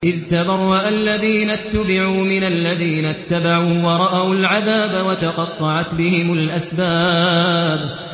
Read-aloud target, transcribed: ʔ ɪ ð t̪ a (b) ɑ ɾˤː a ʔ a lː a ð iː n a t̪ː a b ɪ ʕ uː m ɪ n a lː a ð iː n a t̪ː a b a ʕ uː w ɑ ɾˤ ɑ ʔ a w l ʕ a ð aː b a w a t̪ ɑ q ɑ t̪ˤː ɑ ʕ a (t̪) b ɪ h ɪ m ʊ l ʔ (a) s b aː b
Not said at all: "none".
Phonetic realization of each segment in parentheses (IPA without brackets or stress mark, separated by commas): b, t̪, a